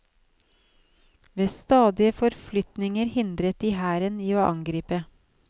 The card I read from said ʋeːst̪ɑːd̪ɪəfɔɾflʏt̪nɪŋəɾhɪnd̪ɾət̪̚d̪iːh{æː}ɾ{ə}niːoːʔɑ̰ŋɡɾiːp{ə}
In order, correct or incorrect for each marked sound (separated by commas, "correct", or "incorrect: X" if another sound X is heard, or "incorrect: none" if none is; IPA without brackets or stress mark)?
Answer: correct, correct, correct